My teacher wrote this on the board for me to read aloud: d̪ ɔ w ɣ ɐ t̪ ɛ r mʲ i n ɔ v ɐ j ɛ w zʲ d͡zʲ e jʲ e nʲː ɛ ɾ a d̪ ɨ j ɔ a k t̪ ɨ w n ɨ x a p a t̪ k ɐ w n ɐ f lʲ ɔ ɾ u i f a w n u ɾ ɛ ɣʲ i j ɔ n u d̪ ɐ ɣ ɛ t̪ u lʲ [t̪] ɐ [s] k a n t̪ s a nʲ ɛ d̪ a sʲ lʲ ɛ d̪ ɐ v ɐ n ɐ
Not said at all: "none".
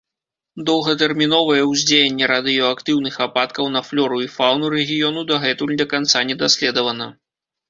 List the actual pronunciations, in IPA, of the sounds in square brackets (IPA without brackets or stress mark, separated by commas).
d̪, none